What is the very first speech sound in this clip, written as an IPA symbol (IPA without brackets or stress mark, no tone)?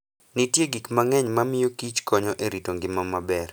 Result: n